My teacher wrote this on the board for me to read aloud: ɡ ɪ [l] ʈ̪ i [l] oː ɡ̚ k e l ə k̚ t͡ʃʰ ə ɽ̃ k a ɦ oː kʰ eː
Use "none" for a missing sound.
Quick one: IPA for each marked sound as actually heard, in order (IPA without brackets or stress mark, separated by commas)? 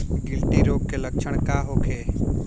l, ɾ